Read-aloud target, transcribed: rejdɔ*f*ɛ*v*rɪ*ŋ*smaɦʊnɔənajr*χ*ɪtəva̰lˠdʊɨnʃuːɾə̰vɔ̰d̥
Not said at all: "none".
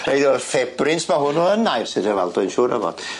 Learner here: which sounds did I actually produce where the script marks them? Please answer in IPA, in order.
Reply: f, b, n, s

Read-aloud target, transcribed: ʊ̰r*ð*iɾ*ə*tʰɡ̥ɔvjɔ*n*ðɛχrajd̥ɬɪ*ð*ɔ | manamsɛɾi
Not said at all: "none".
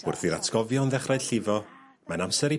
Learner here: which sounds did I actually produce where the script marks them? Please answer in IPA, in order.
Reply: θ, a, n, v

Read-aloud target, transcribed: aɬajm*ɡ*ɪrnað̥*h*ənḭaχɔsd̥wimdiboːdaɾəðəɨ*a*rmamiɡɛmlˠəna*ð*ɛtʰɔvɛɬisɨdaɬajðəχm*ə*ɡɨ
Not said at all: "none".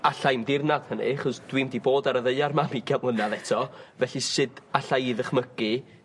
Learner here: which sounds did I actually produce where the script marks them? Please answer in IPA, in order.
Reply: d, h, a, ð, ə

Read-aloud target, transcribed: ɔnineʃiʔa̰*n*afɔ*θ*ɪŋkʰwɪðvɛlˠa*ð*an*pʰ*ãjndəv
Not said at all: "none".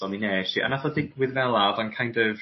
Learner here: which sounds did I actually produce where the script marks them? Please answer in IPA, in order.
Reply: n, θ, v, kʰ

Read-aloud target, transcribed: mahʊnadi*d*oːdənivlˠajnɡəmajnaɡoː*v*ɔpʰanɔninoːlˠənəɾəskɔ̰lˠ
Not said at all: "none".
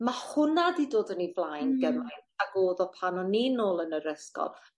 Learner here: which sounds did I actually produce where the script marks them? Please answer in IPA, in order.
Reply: d, ð

